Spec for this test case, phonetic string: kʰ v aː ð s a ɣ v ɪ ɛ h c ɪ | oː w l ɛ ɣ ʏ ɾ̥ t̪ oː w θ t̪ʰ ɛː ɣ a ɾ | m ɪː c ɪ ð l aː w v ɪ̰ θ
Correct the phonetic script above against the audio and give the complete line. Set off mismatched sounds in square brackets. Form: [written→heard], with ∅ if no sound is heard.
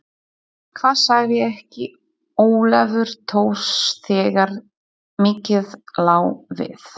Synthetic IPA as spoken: kʰ v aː ð s a ɣ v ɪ ɛ h c ɪ | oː w l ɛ [ɣ→v] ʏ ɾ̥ [t̪→t̪ʰ] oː w [θ→s] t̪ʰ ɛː ɣ a ɾ | m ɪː c ɪ ð l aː w v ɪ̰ θ